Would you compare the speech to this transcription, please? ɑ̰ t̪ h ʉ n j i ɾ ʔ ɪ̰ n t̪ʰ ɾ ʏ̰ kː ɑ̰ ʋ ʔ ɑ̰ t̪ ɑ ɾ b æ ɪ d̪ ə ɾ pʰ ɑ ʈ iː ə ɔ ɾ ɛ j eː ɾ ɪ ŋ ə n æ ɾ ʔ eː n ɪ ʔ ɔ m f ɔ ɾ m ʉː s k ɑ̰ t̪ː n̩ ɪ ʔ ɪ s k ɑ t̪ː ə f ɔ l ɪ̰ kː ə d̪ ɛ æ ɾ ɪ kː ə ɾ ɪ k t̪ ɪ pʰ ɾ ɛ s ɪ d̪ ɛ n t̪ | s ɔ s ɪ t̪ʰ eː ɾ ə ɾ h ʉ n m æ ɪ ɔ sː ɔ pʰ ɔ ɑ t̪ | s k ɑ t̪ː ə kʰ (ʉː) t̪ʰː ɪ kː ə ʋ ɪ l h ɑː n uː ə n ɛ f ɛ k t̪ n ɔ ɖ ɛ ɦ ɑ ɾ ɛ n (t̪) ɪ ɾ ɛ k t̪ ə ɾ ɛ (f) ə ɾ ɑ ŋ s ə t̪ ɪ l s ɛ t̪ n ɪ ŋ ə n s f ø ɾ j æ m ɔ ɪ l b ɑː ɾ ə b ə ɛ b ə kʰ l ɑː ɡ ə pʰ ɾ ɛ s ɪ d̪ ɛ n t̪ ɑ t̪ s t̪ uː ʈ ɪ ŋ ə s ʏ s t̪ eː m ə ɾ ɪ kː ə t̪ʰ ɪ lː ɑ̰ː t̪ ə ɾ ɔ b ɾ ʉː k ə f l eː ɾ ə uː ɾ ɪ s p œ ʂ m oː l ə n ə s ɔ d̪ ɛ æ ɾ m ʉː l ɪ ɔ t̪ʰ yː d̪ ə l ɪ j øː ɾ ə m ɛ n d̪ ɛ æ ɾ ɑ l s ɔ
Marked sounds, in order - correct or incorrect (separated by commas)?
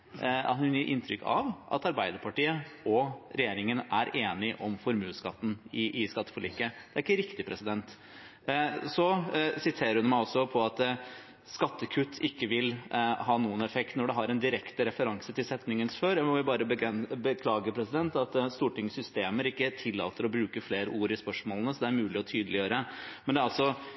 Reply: incorrect, incorrect, correct